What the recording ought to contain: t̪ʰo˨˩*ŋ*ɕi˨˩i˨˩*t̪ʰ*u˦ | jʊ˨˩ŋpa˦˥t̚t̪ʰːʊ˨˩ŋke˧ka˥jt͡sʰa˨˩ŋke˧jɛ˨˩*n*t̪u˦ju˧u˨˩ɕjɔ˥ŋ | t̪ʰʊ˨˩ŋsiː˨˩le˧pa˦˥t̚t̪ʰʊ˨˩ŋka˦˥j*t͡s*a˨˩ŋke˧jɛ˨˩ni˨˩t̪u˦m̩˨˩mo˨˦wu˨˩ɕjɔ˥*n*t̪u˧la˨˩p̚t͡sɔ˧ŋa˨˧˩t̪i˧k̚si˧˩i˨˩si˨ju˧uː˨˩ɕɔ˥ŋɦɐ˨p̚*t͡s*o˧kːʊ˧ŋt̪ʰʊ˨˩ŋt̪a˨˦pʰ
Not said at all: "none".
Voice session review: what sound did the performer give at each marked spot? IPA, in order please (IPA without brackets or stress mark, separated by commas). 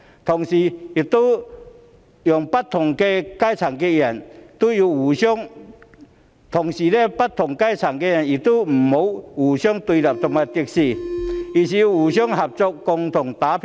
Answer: ŋ, t̪, n, t͡sʰ, ŋ, t͡s